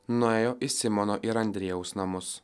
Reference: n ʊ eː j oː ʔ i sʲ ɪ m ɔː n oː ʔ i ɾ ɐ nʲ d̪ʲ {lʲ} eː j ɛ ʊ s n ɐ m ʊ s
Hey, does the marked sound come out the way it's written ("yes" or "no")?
no